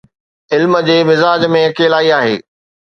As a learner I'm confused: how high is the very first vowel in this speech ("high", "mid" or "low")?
high